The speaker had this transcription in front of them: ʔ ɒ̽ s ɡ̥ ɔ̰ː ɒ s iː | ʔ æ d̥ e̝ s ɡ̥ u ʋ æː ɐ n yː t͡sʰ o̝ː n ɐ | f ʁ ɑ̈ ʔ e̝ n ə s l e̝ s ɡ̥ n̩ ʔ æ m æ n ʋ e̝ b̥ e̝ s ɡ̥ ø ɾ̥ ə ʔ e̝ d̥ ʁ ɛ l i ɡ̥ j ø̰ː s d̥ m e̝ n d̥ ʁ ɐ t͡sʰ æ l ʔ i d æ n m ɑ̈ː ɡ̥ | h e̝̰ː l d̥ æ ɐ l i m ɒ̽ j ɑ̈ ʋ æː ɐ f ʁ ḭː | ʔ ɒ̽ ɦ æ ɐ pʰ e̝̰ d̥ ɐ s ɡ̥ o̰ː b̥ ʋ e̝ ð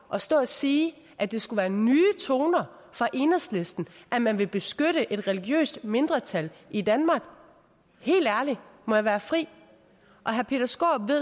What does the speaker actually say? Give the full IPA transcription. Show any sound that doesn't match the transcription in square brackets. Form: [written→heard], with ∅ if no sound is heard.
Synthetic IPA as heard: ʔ ɒ̽ s [ɡ̥→d̥] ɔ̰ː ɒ s iː | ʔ æ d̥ e̝ s ɡ̥ u ʋ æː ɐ n yː t͡sʰ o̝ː n ɐ | f ʁ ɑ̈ ʔ e̝ n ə s l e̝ s [ɡ̥→d̥] n̩ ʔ æ m æ n ʋ e̝ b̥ e̝ s ɡ̥ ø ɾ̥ ə ʔ e̝ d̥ ʁ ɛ l i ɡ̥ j ø̰ː s d̥ m e̝ n d̥ ʁ ɐ t͡sʰ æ l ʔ i d æ n m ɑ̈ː ɡ̥ | h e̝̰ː l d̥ æ ɐ l i m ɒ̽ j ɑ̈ ʋ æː ɐ f ʁ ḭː | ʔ ɒ̽ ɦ æ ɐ pʰ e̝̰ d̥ ɐ s ɡ̥ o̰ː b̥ ʋ e̝ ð

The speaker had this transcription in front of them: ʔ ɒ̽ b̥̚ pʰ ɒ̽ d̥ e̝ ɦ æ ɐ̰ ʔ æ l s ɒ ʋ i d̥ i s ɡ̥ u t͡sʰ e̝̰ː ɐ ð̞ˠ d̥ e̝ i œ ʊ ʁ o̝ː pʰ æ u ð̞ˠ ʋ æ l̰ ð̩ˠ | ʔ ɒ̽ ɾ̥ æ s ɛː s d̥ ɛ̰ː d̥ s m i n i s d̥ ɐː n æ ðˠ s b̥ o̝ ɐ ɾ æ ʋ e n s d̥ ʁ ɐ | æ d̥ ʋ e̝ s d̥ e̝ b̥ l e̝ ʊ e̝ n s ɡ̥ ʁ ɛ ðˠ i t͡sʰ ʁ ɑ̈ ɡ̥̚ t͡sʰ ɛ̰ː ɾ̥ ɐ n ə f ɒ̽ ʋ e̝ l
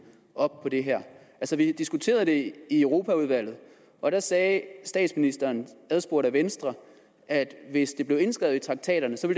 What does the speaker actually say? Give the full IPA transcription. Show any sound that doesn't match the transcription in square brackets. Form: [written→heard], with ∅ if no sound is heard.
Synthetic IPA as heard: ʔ ɒ̽ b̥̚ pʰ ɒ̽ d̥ e̝ ɦ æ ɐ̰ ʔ æ l s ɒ ʋ i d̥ i s ɡ̥ u t͡sʰ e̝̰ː ɐ ð̞ˠ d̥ e̝ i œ ʊ ʁ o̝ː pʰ æ u ð̞ˠ ʋ æ l̰ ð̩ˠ | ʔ ɒ̽ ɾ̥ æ s ɛː s d̥ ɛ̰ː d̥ s m i n i s d̥ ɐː n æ ðˠ s b̥ o̝ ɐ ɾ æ ʋ e n s d̥ ʁ ɐ | æ d̥ ʋ e̝ s d̥ e̝ b̥ l e̝ ʊ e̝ n s ɡ̥ ʁ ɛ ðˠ i t͡sʰ ʁ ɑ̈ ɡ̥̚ t͡sʰ ɛ̰ː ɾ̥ ɐ n ə [f→s] ɒ̽ ʋ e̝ l

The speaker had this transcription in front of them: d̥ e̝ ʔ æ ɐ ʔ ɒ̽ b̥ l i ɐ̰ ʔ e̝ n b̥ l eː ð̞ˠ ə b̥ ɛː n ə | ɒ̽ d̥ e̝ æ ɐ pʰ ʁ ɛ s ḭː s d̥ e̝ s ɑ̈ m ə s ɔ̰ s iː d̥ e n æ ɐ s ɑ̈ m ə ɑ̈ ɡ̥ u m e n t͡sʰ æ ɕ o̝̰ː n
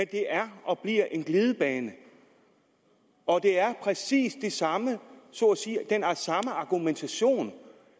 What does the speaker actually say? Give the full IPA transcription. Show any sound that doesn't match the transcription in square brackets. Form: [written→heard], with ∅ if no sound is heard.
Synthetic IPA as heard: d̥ e̝ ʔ æ ɐ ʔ ɒ̽ b̥ l i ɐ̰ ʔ e̝ n [b̥→ɡ̥] l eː ð̞ˠ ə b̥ ɛː n ə | ɒ̽ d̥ e̝ æ ɐ pʰ ʁ ɛ s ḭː s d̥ e̝ s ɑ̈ m ə s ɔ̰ s iː d̥ e n æ ɐ s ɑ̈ m ə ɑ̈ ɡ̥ u m e n t͡sʰ æ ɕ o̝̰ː n

